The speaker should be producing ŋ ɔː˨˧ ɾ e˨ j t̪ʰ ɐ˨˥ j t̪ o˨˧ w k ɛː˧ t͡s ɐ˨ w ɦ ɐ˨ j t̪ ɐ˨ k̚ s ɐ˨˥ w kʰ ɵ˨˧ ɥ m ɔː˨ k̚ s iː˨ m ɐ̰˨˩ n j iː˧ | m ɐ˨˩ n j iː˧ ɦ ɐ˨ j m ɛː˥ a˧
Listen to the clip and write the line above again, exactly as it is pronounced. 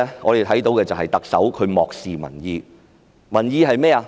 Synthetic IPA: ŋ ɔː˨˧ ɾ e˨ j t̪ʰ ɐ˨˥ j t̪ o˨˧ w k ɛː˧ t͡s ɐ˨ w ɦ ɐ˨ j t̪ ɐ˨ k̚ s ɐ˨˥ w kʰ ɵ˨˧ ɥ m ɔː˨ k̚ s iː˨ m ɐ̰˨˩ n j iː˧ | m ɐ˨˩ n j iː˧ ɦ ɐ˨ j m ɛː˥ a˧